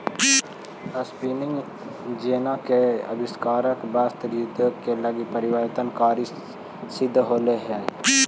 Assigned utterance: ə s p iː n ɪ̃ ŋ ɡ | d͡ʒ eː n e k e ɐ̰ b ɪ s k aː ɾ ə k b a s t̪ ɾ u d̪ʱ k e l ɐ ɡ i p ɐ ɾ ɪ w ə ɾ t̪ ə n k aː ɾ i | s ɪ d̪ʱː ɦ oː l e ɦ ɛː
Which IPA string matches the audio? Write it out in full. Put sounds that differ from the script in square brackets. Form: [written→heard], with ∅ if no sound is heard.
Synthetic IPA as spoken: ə s p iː n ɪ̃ ŋ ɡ | d͡ʒ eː n [e→a] k e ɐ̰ b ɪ s k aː ɾ ə k b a s t̪ ɾ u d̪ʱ k e l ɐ ɡ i p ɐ ɾ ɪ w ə ɾ t̪ ə n k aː ɾ i | s ɪ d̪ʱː ɦ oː l e ɦ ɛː